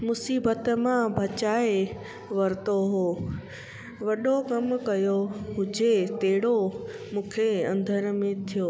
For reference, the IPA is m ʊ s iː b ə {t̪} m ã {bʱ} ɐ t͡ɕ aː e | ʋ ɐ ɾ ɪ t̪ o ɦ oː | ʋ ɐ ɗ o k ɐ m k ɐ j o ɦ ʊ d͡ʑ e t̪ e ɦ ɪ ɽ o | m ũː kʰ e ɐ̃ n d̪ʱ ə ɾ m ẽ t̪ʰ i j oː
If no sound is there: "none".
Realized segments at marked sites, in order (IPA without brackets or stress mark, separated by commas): t̪, bʱ